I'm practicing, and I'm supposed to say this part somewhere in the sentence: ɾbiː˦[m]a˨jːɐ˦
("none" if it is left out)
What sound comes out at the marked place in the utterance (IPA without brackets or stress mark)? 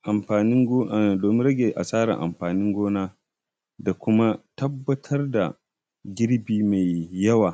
m